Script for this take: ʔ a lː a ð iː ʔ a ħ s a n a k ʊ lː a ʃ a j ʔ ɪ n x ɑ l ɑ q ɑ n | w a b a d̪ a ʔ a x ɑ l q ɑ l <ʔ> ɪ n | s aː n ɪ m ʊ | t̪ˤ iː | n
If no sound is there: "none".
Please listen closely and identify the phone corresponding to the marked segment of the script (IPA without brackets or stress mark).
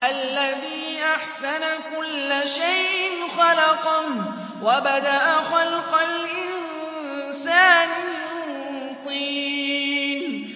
ʔ